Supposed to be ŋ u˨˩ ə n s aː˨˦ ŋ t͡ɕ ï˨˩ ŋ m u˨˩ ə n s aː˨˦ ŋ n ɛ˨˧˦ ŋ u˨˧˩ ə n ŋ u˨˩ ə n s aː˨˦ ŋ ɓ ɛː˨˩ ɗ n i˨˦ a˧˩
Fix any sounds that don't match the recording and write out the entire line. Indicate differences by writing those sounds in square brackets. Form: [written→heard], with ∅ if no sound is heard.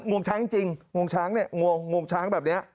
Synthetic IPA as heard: ŋ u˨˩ ə n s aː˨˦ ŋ t͡ɕ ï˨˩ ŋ [m→ŋ] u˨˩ ə n s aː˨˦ ŋ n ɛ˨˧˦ ŋ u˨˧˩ ə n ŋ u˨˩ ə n s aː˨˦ ŋ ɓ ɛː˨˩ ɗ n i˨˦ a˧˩